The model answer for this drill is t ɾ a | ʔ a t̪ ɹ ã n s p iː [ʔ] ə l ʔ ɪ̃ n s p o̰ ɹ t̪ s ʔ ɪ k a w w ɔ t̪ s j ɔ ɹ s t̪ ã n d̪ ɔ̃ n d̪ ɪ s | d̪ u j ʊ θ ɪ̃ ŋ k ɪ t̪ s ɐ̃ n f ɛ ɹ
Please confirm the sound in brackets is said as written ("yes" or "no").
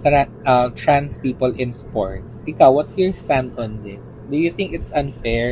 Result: no